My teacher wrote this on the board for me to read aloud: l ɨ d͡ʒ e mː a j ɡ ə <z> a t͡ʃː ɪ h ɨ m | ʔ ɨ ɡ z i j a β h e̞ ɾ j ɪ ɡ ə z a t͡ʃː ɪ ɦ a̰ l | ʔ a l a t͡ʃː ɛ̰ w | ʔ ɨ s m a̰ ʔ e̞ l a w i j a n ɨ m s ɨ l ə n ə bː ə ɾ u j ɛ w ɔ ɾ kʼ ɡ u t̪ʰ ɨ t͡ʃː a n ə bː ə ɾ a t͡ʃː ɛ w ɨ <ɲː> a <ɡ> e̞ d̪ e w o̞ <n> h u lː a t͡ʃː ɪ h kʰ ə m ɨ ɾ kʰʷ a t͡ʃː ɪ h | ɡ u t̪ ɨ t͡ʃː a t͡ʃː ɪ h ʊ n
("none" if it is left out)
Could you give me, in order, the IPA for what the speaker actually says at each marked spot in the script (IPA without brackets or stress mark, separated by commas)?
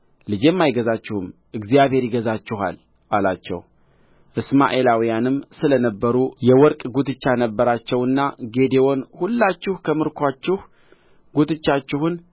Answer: z, nː, ɡ, n